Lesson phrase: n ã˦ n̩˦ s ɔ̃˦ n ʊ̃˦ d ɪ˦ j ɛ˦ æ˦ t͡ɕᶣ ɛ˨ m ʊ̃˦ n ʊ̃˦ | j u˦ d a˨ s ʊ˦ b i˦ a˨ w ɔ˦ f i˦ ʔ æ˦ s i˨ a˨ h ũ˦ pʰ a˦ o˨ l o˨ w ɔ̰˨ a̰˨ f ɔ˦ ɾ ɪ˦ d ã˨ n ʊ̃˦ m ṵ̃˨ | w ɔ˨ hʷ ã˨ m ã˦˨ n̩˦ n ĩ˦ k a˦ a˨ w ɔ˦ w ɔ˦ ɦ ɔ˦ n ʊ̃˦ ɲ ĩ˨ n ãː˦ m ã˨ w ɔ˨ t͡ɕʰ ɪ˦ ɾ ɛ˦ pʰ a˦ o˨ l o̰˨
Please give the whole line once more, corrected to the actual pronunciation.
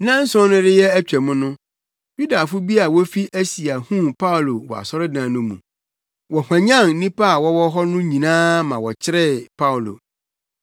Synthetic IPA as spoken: n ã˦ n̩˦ s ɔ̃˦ n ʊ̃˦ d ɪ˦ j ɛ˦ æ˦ t͡ɕᶣ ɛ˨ m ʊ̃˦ n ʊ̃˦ | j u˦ d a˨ f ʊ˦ b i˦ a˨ w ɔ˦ f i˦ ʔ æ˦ s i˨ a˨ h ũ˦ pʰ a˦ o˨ l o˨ w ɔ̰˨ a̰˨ s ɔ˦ ɾ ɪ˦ d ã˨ n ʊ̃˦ m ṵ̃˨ | w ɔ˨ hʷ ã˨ ɲ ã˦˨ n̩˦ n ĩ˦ p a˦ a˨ w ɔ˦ w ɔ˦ ɦ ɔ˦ n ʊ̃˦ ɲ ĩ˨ n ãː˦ m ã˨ w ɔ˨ t͡ɕʰ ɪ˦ ɾ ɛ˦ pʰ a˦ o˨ l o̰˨